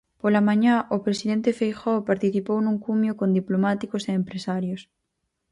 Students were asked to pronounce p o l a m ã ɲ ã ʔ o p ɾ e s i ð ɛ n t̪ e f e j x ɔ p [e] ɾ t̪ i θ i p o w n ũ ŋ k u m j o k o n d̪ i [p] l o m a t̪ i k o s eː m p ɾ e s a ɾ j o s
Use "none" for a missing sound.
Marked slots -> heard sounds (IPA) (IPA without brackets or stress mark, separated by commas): a, p